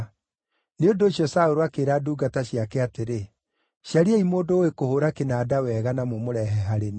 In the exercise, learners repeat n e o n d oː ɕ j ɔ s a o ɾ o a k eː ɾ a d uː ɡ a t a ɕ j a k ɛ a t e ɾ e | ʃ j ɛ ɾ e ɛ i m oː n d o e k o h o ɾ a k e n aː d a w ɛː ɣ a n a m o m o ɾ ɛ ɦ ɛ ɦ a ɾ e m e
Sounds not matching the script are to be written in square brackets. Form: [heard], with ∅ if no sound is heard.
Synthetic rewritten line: n e o n d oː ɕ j ɔ s a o ɾ o a k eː ɾ a d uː ɡ a t a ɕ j a k ɛ a t e ɾ e | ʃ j [a] ɾ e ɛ i m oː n d o e k o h o ɾ a k e n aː d a w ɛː ɣ a n a m o m o ɾ ɛ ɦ ɛ ɦ a ɾ e [n] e